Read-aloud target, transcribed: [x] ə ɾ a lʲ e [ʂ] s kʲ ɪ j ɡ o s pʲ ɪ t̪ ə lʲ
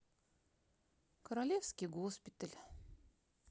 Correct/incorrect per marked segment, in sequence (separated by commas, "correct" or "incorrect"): incorrect, incorrect